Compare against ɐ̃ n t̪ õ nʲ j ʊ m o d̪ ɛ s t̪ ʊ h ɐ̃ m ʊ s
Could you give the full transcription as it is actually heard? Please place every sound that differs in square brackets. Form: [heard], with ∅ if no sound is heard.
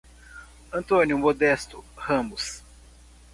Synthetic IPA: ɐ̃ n t̪ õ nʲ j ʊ m o d̪ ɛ s t̪ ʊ h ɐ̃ m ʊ s

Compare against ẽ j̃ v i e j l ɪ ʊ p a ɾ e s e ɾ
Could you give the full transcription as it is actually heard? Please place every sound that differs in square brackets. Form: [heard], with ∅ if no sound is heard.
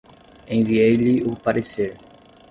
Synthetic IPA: ẽ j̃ v i e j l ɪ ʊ p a ɾ e s e ɾ

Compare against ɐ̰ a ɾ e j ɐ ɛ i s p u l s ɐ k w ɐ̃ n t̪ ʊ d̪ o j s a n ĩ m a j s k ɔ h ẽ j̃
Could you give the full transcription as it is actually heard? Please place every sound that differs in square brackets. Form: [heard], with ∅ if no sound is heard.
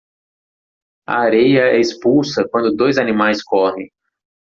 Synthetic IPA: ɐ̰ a ɾ e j ɐ ɛ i s p u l s ɐ k w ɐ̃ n [d̪] ʊ d̪ o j [z] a n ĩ m a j s k ɔ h ẽ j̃

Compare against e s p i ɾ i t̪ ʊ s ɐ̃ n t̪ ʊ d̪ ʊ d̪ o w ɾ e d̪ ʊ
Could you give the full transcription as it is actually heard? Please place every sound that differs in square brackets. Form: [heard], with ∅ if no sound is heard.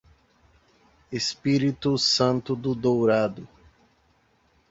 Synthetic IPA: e s p i ɾ i t̪ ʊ s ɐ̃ n t̪ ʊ d̪ ʊ d̪ o w ɾ [a] d̪ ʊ

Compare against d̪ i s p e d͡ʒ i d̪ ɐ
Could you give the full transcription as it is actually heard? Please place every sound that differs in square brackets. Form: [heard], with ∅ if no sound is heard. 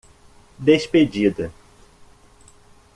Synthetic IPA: d̪ [e] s p e d͡ʒ i d̪ ɐ

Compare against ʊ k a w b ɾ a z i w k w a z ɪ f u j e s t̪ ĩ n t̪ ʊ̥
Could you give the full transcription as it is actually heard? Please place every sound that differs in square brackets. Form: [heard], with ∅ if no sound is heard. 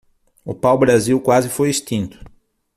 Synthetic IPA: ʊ [p] a w b ɾ a z i w k w a z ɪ f [o] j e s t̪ ĩ n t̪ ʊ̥

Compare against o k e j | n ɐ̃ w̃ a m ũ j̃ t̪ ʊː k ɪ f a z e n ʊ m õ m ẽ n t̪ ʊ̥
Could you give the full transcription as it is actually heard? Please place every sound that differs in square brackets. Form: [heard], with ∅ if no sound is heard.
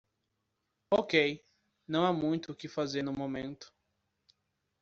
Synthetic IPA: o k e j | n ɐ̃ w̃ a m ũ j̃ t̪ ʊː k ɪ f a z e n ʊ m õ m ẽ n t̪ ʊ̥

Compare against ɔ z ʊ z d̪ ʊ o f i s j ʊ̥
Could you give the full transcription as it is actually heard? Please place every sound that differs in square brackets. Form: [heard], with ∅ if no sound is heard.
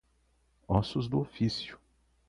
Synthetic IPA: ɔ [s] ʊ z d̪ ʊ o f i s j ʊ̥

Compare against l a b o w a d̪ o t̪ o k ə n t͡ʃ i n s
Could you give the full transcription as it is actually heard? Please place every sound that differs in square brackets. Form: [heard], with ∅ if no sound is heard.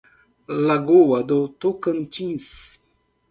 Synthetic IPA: l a [ɡ] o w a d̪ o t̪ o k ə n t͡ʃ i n s

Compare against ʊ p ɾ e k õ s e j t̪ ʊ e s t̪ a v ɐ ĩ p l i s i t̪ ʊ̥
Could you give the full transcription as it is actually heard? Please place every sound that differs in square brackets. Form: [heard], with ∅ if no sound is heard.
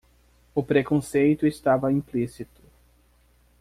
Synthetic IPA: ʊ p ɾ e k õ s e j t̪ ʊ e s t̪ a v ɐ ĩ p l i s i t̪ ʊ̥

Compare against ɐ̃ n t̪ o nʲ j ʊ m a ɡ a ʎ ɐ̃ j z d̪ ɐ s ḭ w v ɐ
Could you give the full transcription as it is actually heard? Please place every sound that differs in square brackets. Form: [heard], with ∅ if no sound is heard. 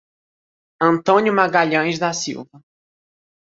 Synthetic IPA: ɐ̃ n t̪ [õ] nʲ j ʊ m a ɡ a ʎ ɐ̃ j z d̪ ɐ s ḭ w v ɐ

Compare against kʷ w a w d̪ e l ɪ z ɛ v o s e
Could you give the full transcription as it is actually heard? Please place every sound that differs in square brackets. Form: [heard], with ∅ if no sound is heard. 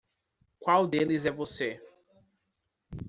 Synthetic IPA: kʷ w a w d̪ e l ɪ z ɛ v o s e

